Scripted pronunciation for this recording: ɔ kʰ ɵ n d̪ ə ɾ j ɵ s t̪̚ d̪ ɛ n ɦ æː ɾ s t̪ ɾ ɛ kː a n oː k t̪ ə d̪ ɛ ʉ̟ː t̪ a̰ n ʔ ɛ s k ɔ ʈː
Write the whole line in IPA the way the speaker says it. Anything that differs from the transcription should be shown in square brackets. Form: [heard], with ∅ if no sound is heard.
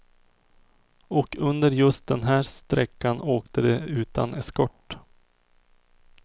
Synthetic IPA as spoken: ɔ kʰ ɵ n d̪ ə ɾ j ɵ s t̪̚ d̪ ɛ n ɦ æː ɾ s t̪ ɾ ɛ kː a n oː k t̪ ə d̪ ɛ ʉ̟ː t̪ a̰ n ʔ ɛ s k ɔ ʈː